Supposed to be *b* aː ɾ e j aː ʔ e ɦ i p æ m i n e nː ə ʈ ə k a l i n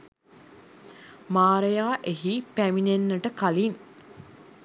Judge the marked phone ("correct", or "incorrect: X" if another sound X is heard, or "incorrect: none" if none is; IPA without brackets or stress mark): incorrect: m